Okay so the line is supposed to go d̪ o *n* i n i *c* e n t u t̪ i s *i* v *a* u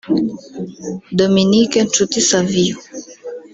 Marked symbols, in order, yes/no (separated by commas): no, no, no, no